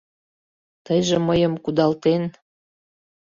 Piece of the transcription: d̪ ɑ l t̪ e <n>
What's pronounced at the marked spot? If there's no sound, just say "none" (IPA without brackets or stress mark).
n